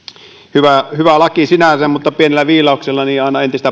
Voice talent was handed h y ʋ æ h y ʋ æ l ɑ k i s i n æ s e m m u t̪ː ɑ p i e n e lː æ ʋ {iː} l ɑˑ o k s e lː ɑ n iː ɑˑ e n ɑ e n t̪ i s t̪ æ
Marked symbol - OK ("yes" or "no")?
yes